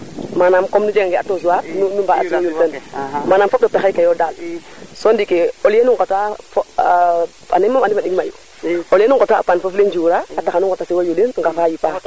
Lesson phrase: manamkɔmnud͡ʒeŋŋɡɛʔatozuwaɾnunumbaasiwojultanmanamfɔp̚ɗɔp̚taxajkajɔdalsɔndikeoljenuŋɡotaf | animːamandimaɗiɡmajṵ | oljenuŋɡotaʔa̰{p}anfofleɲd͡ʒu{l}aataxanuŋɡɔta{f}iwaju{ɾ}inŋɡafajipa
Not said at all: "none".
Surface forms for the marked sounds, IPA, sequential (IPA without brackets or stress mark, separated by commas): p, ɾ, s, l